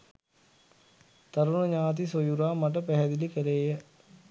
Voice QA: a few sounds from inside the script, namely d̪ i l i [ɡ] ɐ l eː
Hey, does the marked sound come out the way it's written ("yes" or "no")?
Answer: no